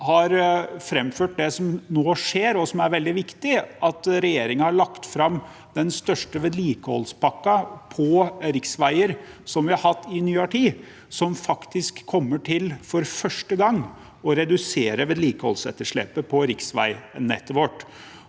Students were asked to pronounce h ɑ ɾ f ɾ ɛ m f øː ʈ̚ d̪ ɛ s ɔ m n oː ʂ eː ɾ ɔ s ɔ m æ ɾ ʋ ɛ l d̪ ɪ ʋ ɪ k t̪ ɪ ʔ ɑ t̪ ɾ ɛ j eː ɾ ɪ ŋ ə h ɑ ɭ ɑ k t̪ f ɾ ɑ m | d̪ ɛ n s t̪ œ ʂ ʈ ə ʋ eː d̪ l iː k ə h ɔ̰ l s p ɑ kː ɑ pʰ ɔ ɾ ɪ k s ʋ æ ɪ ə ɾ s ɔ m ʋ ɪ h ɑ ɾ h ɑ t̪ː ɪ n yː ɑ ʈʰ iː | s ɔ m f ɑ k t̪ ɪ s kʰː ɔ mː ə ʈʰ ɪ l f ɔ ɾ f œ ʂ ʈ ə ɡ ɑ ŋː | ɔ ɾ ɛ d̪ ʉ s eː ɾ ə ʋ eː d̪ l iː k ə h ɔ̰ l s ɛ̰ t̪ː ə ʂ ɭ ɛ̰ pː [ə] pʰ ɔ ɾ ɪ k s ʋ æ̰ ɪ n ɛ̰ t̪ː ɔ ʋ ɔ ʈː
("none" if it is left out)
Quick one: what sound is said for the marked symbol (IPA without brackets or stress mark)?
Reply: ə